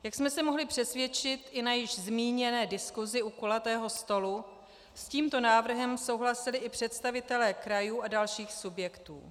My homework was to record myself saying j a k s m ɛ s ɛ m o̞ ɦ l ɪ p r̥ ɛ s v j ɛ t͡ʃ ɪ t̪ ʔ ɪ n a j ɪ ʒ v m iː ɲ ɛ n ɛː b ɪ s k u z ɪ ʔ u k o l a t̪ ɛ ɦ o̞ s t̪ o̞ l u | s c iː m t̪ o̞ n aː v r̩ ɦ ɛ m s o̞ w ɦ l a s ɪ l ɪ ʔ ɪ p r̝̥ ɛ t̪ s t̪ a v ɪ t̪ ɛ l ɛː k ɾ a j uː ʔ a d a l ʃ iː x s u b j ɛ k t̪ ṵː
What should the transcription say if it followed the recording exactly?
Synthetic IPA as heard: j a k s m ɛ s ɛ m o̞ ɦ l ɪ p r̥ ɛ s v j ɛ t͡ʃ ɪ t̪ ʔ ɪ n a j ɪ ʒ z m iː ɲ ɛ n ɛː d ɪ s k u z ɪ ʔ u k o l a t̪ ɛː ɦ o̞ s t̪ o̞ l u | s c iː m t̪ o̞ n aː v r̩ ɦ ɛ m s o̞ w ɦ l a s ɪ l ɪ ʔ ɪ p r̝̥ ɛ t̪ s t̪ a v ɪ t̪ ɛ l ɛː k ɾ a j uː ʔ a d a l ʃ iː x s u b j ɛ k t̪ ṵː